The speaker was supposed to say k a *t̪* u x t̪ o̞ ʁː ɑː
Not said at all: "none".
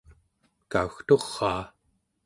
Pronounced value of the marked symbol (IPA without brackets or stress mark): none